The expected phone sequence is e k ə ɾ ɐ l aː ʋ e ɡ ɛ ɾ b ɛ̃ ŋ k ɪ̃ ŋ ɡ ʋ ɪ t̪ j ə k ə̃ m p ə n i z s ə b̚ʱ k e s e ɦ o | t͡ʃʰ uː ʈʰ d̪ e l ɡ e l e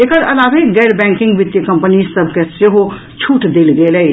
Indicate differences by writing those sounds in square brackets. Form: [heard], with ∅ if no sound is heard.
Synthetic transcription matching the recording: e k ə ɾ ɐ l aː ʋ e ɡ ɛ ɾ b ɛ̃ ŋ k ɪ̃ ŋ ɡ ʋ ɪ t̪ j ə k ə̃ m p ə n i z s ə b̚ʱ k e s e ɦ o | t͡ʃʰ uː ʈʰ d̪ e l ɡ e l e